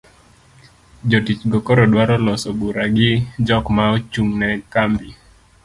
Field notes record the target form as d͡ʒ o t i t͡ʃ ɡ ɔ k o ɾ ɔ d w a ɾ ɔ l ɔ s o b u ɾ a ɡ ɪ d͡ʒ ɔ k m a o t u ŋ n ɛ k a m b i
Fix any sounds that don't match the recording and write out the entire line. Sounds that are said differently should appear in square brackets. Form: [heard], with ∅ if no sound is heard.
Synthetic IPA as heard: d͡ʒ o t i t͡ʃ ɡ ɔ k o ɾ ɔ d w a ɾ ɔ l ɔ s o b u ɾ a ɡ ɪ d͡ʒ ɔ k m a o [t͡ʃ] u ŋ n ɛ k a m b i